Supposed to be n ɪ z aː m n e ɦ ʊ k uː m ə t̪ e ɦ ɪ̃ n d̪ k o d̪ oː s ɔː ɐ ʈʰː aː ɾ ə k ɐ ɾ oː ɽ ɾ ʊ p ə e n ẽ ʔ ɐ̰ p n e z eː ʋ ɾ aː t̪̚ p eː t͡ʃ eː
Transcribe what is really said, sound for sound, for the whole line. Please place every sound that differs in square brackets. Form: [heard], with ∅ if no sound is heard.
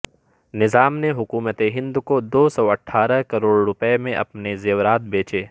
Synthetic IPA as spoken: n ɪ z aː m n e ɦ ʊ k uː m ə t̪ e ɦ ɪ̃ n d̪ k o d̪ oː s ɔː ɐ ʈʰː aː ɾ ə k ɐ ɾ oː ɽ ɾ ʊ p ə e [m] ẽ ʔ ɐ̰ p n e z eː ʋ ɾ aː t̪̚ [b] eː t͡ʃ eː